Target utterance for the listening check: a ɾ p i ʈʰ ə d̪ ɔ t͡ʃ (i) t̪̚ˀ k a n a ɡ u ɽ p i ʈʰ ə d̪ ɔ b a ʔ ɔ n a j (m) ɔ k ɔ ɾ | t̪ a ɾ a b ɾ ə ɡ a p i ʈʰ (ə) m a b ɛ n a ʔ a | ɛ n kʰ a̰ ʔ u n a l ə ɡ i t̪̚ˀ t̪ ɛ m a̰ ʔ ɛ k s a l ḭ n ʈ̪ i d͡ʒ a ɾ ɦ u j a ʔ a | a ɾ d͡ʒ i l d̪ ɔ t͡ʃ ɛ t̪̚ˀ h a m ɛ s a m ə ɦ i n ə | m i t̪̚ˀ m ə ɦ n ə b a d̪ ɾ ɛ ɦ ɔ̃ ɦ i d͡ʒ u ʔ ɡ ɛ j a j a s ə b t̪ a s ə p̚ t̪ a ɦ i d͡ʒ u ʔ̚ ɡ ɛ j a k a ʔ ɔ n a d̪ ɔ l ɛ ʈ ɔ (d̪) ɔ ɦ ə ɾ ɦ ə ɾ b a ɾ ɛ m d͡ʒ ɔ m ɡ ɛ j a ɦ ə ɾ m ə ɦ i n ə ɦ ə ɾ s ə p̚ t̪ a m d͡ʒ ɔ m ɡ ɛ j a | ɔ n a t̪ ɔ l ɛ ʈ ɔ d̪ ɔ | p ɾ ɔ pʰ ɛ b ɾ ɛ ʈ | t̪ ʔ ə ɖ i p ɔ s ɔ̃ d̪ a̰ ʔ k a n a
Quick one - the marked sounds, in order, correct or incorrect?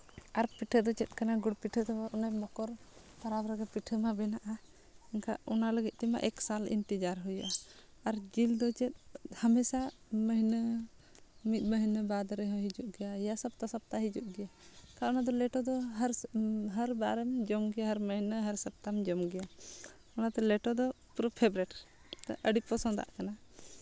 incorrect, correct, correct, correct

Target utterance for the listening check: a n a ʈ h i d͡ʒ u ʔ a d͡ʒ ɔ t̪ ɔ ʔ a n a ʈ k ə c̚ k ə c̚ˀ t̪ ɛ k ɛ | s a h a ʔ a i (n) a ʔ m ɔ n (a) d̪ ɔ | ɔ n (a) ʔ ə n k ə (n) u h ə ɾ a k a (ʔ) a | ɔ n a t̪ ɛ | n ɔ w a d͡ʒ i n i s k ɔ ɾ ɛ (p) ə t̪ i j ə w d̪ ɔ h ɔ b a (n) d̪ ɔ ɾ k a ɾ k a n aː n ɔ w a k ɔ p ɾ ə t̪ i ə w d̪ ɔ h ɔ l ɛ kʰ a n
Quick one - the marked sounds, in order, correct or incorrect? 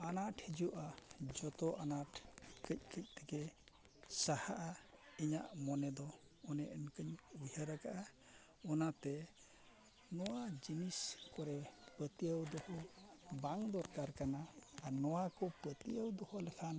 incorrect, incorrect, incorrect, incorrect, correct, correct, incorrect

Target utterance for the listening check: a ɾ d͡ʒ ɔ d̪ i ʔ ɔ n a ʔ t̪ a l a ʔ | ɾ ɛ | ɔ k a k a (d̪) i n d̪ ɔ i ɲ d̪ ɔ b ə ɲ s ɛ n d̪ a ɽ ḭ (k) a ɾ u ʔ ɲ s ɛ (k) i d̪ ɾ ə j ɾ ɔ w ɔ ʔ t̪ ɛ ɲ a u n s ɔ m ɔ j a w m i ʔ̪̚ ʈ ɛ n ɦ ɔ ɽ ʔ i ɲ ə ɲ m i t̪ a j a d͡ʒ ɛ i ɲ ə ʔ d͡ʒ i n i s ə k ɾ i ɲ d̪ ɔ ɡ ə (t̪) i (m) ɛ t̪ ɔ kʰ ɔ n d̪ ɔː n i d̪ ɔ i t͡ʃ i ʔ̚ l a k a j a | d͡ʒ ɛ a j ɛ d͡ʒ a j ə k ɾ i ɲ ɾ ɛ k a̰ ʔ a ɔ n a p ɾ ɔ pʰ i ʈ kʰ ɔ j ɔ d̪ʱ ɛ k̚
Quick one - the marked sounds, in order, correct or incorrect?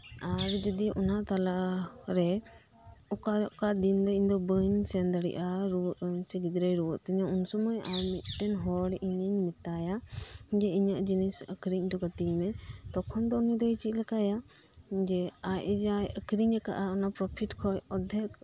correct, incorrect, incorrect, correct, correct

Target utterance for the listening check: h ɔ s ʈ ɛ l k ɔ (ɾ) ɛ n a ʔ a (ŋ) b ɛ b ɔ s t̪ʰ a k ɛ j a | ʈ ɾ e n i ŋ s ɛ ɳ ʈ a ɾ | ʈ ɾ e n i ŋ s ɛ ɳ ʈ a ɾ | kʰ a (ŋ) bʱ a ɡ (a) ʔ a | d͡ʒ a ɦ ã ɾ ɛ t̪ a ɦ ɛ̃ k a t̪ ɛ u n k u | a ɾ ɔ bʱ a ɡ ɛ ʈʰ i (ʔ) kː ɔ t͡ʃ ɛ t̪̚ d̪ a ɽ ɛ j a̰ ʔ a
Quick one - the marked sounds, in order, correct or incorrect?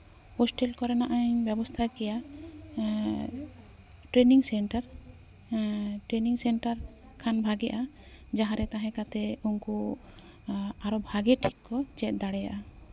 correct, incorrect, incorrect, incorrect, incorrect

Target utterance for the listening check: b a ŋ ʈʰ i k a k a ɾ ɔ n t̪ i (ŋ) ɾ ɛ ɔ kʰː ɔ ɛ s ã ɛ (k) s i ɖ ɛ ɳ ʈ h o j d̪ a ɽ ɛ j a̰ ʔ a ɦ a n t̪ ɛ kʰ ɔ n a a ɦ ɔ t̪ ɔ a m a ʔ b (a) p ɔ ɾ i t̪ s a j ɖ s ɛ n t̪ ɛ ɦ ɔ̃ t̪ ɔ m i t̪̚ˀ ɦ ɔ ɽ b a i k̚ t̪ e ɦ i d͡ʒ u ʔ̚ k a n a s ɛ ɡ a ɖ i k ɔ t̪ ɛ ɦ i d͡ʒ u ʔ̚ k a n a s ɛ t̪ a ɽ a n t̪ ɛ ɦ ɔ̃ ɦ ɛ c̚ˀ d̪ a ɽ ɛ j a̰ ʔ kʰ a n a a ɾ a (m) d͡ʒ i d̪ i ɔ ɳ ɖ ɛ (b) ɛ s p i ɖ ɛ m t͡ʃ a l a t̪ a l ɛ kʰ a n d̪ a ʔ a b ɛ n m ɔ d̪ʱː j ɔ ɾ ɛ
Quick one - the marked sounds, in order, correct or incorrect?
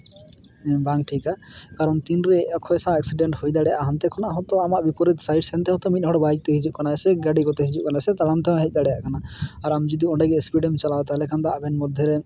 incorrect, correct, incorrect, correct, incorrect

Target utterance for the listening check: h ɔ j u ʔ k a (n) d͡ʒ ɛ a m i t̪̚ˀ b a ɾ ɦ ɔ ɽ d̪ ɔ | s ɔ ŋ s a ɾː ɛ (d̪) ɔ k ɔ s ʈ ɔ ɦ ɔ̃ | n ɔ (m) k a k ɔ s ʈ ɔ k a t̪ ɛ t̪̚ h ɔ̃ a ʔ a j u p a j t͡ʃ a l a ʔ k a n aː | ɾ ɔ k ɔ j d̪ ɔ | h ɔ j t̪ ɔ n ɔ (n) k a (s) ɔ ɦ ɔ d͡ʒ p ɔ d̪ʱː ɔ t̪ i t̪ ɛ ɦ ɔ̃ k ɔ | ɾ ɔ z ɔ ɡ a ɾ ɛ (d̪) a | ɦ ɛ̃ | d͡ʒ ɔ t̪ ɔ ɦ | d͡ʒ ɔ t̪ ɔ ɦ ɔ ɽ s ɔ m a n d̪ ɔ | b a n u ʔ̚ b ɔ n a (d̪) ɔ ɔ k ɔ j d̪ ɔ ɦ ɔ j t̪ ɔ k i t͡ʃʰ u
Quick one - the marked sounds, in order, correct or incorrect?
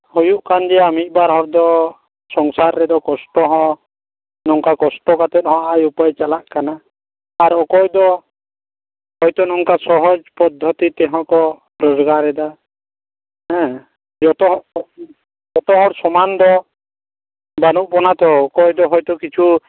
correct, correct, incorrect, incorrect, correct, correct, incorrect

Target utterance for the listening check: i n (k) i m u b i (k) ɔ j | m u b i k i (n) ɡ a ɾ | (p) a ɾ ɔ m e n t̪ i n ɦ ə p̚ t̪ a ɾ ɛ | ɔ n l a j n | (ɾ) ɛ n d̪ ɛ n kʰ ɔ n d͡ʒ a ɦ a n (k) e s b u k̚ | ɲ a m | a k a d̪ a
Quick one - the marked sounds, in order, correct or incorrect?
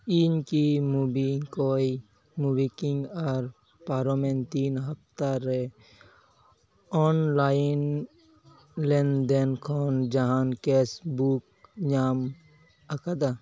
correct, correct, incorrect, correct, incorrect, correct

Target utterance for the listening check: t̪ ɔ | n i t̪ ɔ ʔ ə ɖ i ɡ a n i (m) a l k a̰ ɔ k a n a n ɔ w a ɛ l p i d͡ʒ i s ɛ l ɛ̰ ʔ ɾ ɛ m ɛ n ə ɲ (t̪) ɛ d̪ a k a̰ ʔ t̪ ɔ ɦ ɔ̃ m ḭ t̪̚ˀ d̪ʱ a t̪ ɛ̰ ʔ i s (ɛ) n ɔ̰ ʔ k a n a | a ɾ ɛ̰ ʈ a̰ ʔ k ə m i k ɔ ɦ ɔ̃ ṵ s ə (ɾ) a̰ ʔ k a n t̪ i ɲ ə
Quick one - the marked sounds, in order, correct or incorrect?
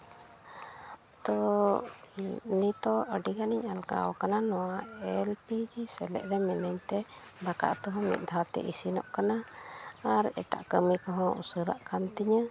incorrect, correct, incorrect, correct

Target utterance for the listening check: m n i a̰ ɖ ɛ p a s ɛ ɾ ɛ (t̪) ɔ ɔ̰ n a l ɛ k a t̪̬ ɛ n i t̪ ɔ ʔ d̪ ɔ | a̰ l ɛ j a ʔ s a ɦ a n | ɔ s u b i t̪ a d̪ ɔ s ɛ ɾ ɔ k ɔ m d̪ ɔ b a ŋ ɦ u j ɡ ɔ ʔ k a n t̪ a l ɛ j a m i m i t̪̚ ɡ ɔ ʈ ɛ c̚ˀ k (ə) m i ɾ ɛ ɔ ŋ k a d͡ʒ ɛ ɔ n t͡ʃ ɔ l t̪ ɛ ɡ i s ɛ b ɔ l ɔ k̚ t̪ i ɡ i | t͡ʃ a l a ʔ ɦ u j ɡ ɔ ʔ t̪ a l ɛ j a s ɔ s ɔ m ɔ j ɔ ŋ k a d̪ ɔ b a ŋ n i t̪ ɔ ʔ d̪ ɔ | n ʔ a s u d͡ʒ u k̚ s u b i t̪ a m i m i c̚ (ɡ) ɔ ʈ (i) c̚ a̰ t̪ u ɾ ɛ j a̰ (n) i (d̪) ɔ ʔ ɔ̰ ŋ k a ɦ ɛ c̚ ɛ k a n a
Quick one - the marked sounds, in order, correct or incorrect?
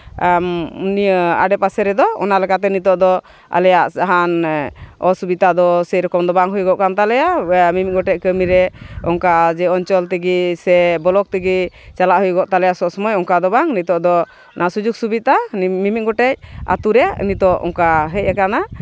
incorrect, correct, correct, incorrect, correct, incorrect

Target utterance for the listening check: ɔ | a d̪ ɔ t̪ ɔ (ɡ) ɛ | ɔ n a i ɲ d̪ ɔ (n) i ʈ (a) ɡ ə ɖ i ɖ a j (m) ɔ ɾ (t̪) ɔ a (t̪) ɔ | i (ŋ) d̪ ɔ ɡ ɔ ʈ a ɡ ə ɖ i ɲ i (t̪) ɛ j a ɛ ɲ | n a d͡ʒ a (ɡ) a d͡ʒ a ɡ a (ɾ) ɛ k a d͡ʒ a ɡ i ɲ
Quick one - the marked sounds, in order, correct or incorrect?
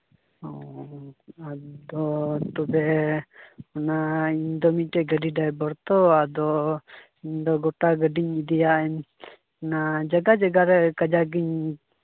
incorrect, incorrect, incorrect, incorrect, correct, incorrect, incorrect, incorrect, correct, correct

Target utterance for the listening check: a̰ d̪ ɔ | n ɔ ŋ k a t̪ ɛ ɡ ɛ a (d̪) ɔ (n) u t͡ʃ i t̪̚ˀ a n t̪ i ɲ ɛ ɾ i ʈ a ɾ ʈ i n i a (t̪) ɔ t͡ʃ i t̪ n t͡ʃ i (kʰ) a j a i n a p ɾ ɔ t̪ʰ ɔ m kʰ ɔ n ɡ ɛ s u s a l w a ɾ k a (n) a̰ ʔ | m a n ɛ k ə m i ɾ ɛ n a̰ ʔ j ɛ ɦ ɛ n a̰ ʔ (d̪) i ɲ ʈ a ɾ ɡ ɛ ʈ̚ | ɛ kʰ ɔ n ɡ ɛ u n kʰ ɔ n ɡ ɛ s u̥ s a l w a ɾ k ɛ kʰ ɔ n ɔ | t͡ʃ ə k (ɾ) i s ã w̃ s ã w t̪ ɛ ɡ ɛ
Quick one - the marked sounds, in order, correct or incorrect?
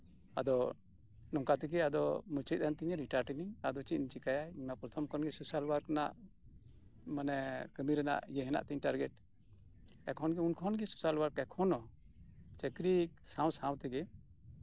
correct, incorrect, incorrect, incorrect, correct, incorrect, correct

